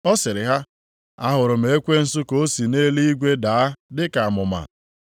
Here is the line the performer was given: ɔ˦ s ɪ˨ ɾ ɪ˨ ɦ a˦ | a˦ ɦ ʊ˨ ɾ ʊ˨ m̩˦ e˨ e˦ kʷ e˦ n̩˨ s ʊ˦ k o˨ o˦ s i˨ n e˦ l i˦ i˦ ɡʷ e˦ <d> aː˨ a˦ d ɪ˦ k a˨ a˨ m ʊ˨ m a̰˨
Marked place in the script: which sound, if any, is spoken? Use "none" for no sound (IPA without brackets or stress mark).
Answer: d